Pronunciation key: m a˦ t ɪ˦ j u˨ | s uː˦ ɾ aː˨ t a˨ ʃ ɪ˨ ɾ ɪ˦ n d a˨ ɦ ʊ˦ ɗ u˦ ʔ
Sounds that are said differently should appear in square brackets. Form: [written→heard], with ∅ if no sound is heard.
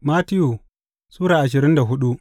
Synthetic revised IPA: m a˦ t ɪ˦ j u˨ | s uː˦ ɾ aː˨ [t→ʔ] a˨ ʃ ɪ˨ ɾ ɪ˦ n d a˨ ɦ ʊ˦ ɗ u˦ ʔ